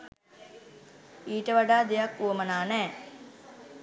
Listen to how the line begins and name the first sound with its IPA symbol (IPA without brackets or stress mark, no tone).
iː